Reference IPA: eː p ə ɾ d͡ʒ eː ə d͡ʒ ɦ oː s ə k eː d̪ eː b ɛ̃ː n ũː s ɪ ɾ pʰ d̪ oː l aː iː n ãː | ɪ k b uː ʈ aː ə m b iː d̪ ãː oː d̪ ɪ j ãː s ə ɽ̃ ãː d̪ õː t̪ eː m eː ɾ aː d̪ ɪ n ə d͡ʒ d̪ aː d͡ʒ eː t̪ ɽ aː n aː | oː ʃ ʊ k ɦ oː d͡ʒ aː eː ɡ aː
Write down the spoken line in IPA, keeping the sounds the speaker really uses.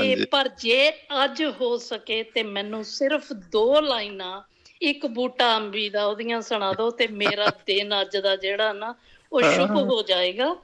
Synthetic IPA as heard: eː p ə ɾ d͡ʒ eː ə d͡ʒ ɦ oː s ə k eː t̪ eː m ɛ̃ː n ũː s ɪ ɾ pʰ d̪ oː l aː iː n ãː | ɪ k b uː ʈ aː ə m b iː d̪ aː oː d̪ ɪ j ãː s ə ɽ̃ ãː d̪ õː t̪ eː m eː ɾ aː d̪ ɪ n ə d͡ʒ d̪ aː d͡ʒ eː ɽ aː n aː | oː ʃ ʊ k ɦ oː d͡ʒ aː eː ɡ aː